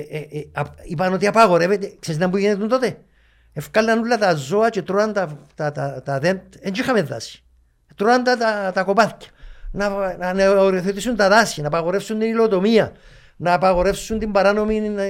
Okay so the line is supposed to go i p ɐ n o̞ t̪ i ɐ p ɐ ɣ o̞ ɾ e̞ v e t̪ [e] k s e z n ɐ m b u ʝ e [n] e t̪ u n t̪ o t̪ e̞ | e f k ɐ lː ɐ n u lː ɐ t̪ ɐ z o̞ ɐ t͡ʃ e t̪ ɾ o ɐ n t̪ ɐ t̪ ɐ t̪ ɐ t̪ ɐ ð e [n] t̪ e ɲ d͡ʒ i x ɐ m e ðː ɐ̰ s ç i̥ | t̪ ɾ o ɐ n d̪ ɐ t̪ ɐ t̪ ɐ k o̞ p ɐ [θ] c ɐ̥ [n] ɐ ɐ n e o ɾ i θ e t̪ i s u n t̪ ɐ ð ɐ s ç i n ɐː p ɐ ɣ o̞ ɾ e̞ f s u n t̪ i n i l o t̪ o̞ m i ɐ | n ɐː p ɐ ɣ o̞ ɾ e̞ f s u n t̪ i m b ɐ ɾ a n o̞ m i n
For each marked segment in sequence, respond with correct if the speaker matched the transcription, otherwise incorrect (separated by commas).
correct, correct, correct, correct, correct